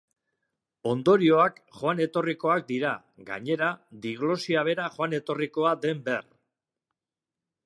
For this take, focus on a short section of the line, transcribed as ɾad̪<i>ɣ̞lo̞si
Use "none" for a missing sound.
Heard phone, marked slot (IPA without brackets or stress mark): i